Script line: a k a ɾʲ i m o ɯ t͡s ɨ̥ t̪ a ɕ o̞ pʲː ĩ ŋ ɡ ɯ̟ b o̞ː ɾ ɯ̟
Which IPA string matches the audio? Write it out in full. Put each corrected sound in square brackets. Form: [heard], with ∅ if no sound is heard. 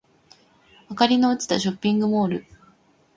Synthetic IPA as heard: a k a ɾʲ i [n] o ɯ t͡s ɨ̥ t̪ a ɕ o̞ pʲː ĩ ŋ ɡ ɯ̟ [m] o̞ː ɾ ɯ̟